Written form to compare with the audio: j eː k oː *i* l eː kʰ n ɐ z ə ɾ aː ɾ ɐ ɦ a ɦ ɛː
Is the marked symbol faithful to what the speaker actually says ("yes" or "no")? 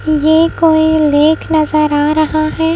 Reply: yes